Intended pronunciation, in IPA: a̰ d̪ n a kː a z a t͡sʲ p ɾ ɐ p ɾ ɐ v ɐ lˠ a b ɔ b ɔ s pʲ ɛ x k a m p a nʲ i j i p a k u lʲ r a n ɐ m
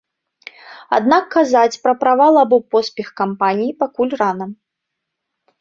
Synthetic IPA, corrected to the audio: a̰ d̪ n a kː a z a t͡sʲ p ɾ ɐ p ɾ a v a lˠ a b ɔ p ɔ s pʲ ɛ x k a m p a nʲ i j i p a k u lʲ r a n ɐ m